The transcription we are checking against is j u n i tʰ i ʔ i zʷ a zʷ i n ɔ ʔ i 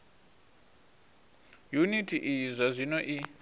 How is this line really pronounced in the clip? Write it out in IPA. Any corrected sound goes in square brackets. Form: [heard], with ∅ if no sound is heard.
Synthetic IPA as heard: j u n i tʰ i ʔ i zʷ a zʷ i n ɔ ʔ i